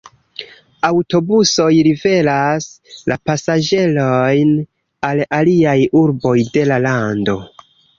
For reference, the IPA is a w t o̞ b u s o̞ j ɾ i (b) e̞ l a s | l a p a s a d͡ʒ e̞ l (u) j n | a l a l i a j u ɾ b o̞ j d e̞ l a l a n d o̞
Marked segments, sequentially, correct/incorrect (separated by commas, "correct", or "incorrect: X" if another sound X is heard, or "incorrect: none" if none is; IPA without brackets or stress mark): incorrect: v, incorrect: o